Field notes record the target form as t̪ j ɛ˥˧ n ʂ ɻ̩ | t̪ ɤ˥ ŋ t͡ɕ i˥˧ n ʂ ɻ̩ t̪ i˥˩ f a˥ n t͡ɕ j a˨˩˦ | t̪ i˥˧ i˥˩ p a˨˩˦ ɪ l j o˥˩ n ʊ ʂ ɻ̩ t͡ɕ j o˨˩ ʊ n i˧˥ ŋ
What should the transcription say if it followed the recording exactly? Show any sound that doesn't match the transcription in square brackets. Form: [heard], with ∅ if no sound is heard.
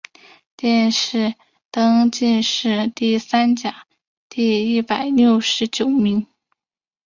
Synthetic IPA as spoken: t̪ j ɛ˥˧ n ʂ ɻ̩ | t̪ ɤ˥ ŋ t͡ɕ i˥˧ n ʂ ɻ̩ t̪ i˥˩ [s] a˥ n t͡ɕ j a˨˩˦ | t̪ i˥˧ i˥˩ p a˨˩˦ ɪ l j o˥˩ [∅] ʊ ʂ ɻ̩ t͡ɕ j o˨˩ ʊ [m] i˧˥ ŋ